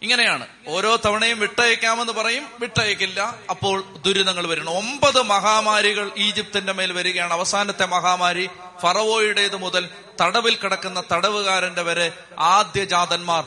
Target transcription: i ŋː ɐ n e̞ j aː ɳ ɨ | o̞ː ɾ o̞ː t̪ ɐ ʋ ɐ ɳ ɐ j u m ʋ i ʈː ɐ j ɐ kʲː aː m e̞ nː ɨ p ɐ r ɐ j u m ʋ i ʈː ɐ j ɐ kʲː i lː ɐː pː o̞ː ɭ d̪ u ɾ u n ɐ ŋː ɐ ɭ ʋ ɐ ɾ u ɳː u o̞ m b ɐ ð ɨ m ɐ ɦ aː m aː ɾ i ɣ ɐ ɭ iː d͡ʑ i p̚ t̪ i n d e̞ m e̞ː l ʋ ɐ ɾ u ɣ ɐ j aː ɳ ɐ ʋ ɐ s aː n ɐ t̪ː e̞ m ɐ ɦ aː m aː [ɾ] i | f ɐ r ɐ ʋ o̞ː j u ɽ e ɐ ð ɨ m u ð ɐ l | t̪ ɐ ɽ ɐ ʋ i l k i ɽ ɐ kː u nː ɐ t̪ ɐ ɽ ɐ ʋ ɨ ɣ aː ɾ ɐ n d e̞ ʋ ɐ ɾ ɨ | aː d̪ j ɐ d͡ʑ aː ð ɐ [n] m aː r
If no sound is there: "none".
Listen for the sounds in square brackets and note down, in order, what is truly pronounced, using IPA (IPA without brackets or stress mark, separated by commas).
ɾ, n